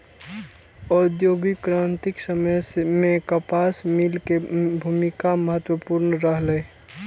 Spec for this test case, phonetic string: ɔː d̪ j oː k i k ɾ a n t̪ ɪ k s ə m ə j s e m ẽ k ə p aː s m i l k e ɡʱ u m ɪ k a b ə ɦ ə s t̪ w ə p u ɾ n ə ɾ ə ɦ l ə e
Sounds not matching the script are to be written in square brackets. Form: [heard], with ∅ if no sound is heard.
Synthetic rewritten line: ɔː d̪ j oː [ɡ] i k ɾ a n t̪ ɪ k s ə m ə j s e m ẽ k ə p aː s m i l k e [bʱ] u m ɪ k a [m] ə ɦ ə [∅] t̪ w ə p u ɾ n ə ɾ ə ɦ l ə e